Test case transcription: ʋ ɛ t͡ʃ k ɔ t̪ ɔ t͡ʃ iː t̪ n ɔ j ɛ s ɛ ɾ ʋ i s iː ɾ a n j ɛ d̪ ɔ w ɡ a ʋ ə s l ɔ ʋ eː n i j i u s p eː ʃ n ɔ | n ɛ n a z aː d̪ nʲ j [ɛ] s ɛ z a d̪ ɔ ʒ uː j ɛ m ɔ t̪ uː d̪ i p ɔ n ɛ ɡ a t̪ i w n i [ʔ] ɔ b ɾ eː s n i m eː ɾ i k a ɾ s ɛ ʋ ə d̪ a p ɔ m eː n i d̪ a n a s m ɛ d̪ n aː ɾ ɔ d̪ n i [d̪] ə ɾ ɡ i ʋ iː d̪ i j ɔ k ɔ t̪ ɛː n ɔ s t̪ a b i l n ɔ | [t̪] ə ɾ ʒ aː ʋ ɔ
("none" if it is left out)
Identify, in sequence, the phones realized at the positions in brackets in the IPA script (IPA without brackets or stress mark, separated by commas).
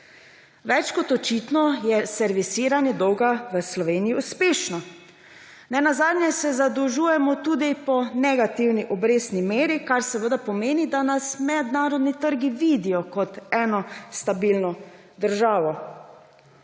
ɛ, ʔ, t̪, d̪